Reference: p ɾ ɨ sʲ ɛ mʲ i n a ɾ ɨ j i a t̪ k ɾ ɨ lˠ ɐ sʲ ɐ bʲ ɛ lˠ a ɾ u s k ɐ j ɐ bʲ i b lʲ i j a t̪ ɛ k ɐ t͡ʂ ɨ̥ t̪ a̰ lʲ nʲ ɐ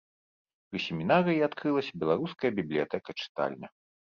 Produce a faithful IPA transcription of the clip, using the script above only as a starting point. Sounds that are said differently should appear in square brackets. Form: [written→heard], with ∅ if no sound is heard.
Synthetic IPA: p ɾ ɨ sʲ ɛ mʲ i n a ɾ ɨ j i a t̪ k ɾ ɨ lˠ ɐ sʲ ɐ bʲ ɛ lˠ a ɾ u s k ɐ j ɐ bʲ i b lʲ i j a t̪ ɛ k ɐ t͡ʂ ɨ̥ t̪ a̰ lʲ nʲ ɐ

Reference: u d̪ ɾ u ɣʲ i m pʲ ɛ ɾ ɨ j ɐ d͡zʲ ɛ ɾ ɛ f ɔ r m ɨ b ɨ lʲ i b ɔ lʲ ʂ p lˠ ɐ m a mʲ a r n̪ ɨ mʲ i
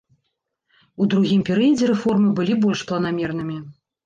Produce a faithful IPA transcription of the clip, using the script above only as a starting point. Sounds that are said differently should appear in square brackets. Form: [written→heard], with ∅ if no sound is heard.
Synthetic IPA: u d̪ ɾ u ɣʲ i m pʲ ɛ ɾ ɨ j ɐ d͡zʲ ɛ ɾ ɛ f ɔ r m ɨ b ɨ lʲ i b ɔ lʲ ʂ p lˠ ɐ [m→n] a mʲ [a→ɛ] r n̪ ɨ mʲ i

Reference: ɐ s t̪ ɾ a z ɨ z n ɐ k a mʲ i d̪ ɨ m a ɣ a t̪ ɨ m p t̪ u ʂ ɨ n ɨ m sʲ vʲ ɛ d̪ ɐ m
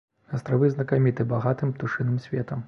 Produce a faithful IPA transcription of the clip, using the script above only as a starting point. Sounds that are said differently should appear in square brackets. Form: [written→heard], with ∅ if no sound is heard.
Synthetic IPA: ɐ s t̪ ɾ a [z→v] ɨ z n ɐ k a mʲ i [d̪→t̪] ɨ [m→b] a ɣ a t̪ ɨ m p t̪ u ʂ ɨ n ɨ m sʲ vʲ ɛ [d̪→t̪] ɐ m

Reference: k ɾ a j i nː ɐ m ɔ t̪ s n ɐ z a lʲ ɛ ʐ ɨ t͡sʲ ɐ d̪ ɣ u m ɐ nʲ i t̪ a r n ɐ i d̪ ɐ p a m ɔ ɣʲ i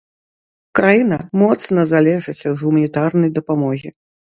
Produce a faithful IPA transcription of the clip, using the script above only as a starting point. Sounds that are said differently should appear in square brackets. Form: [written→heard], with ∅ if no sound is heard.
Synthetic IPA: k ɾ a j i [nː→n] ɐ m ɔ t̪ s n ɐ z a lʲ ɛ ʐ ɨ t͡sʲ ɐ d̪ ɣ u m ɐ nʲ i t̪ a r n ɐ [i→j] d̪ ɐ p a m ɔ ɣʲ i

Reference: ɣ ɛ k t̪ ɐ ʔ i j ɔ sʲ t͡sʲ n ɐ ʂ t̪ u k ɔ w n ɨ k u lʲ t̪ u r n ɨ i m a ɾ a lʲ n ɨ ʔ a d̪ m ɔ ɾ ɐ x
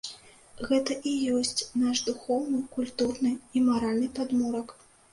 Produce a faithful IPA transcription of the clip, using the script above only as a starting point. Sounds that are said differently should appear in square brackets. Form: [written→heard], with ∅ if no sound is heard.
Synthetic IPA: ɣ ɛ [k→∅] t̪ ɐ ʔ i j ɔ sʲ t͡sʲ n [ɐ→a] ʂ [t̪→d̪] u [k→x] ɔ w n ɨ k u lʲ t̪ u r n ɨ i m a ɾ a lʲ n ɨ [ʔ→p] a d̪ m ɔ ɾ ɐ [x→k]

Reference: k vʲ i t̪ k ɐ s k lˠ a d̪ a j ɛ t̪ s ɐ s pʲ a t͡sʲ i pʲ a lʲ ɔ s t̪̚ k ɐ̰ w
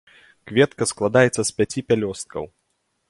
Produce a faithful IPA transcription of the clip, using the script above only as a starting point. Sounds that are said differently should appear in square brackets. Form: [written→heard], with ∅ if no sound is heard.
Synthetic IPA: k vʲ [i→ɛ] t̪ k ɐ s k lˠ a d̪ a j ɛ t̪ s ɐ s pʲ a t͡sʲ i pʲ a lʲ ɔ s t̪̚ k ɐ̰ w

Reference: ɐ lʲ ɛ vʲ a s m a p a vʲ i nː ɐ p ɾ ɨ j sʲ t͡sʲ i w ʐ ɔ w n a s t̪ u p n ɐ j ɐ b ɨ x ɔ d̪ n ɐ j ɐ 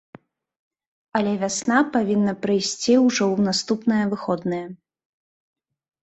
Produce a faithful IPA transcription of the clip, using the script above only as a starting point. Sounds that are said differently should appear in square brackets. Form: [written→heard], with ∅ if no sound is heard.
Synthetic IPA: ɐ lʲ ɛ vʲ a s [m→n] a p a vʲ i nː ɐ p ɾ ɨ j sʲ t͡sʲ i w ʐ ɔ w n a s t̪ u p n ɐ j ɐ [b→v] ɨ x ɔ d̪ n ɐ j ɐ

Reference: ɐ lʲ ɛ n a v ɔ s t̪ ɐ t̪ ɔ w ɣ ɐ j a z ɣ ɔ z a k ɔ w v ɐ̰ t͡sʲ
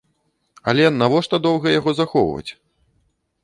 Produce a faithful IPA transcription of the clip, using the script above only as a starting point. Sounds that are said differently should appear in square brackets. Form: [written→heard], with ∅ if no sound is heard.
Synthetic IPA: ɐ lʲ ɛ n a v ɔ [s→ʂ] t̪ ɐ [t̪→d̪] ɔ w ɣ ɐ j a [z→∅] ɣ ɔ z a [k→x] ɔ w v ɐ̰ t͡sʲ

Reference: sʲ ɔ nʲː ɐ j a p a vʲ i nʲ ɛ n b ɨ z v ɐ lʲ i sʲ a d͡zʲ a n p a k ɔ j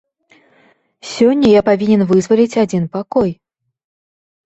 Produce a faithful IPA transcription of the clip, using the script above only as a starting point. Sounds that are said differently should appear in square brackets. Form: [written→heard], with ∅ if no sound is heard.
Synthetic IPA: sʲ ɔ nʲː ɐ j a p a vʲ i nʲ ɛ n [b→v] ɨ z v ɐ lʲ i [sʲ→t͡sʲ] a d͡zʲ [a→i] n p a k ɔ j

